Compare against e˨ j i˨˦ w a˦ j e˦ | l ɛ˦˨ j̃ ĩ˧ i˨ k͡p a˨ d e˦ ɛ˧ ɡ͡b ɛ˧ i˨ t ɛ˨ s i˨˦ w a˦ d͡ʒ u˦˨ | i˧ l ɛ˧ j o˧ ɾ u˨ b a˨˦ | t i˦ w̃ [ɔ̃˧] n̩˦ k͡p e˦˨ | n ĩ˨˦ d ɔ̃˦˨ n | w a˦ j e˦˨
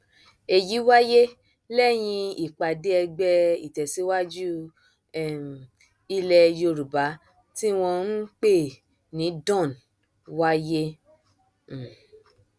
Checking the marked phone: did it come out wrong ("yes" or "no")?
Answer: no